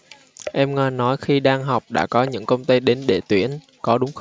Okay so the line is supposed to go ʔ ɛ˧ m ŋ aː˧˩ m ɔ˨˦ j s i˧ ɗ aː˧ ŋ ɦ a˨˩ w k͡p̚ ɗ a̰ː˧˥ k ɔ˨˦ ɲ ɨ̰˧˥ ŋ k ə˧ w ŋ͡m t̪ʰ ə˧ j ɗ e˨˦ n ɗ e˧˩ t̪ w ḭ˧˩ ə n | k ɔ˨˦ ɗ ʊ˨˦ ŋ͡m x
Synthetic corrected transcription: ʔ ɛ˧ m ŋ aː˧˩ n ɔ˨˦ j x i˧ ɗ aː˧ ŋ ɦ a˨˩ w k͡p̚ ɗ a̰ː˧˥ k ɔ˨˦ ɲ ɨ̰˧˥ ŋ k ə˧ w ŋ͡m t̪ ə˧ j ɗ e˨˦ n ɗ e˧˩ t̪ w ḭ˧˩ ə n | k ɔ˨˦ ɗ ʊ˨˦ ŋ͡m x